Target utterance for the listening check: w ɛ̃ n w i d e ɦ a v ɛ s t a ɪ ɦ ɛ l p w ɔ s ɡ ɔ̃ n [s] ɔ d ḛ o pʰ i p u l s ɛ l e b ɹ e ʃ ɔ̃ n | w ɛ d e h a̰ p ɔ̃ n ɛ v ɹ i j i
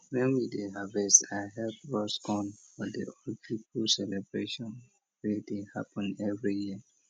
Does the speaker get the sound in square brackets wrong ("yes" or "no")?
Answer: yes